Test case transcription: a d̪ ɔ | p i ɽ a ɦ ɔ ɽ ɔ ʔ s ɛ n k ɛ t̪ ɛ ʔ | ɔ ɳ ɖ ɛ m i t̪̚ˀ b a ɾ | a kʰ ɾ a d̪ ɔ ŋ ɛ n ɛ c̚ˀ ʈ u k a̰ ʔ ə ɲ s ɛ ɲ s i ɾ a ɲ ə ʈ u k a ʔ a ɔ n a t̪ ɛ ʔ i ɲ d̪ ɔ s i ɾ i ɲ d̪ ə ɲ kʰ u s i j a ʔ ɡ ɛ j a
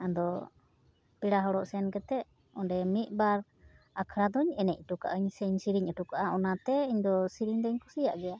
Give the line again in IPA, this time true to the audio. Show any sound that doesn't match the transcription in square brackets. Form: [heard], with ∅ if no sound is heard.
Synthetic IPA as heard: a d̪ ɔ | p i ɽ a ɦ ɔ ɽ ɔ ʔ s ɛ n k ɛ t̪ ɛ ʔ | ɔ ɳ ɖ ɛ m i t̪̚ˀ b a ɾ | a kʰ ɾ a d̪ ɔ [ɲ] ɛ n ɛ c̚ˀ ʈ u k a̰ ʔ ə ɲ s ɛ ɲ s i ɾ [i] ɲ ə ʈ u k a ʔ a ɔ n a t̪ ɛ [∅] i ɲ d̪ ɔ s i ɾ i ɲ d̪ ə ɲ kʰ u s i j a ʔ ɡ ɛ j a